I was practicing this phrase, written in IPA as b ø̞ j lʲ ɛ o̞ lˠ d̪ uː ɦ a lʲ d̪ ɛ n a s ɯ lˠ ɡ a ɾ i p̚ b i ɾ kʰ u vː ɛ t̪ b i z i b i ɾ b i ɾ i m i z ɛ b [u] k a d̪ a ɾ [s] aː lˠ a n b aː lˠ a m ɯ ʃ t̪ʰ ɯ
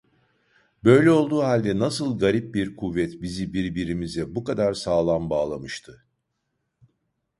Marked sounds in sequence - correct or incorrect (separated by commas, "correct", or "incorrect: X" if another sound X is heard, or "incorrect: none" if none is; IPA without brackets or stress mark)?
correct, correct